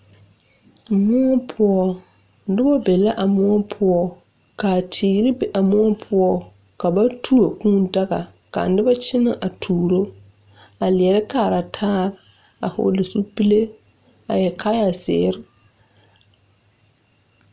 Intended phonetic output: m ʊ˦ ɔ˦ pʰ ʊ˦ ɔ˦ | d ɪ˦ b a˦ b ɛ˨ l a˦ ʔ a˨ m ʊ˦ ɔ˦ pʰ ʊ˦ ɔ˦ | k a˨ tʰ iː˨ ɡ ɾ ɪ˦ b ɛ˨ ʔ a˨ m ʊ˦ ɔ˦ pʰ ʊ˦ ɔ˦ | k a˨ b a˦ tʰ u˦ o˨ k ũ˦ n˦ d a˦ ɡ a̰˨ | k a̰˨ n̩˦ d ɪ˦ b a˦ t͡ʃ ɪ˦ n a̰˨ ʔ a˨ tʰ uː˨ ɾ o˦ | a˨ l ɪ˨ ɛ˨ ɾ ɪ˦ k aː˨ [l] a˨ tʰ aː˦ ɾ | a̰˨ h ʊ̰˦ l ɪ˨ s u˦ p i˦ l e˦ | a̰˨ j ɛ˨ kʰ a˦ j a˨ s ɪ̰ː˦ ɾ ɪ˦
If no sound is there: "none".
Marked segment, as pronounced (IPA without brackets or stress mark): ɾ